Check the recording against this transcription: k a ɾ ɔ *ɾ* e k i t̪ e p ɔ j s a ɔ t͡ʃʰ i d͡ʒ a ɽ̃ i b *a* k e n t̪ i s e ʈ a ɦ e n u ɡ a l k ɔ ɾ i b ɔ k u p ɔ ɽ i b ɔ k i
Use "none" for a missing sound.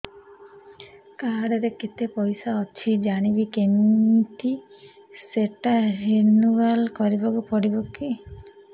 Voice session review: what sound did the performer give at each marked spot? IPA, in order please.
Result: ɾ, i

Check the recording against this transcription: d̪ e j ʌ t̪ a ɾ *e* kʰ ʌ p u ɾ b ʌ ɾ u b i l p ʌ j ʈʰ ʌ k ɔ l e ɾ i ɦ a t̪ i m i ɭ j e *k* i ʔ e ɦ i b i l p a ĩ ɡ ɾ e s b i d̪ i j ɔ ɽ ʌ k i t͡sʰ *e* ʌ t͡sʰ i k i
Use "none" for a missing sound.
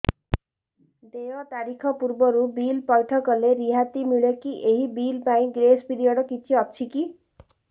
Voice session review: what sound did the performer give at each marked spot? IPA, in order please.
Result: i, k, i

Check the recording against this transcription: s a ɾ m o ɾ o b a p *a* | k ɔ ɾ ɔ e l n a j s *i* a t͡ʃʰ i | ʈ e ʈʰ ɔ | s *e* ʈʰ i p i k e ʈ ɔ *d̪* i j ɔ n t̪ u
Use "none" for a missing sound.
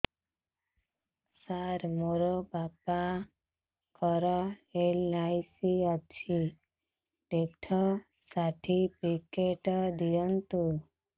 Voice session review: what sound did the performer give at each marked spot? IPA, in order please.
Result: a, i, a, d̪

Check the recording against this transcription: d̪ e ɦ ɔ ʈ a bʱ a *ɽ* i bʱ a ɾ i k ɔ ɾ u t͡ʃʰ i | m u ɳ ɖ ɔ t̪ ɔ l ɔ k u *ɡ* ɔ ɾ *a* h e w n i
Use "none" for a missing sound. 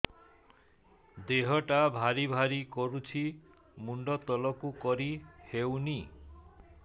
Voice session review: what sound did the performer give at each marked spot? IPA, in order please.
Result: ɾ, k, i

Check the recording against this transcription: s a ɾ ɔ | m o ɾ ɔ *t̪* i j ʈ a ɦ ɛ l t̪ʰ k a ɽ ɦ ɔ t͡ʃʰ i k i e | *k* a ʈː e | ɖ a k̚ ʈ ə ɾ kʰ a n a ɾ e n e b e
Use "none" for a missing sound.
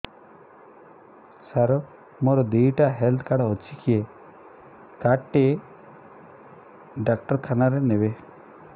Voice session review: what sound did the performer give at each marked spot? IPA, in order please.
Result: d̪, k

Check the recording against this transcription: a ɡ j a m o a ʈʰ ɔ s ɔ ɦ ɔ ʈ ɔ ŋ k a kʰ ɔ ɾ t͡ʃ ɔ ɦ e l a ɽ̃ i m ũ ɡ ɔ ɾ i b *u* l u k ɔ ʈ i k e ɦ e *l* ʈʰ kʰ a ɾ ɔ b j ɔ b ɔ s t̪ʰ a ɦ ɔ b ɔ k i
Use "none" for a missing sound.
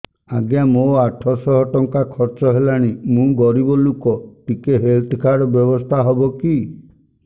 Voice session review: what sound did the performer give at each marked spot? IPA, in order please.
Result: ɔ, l

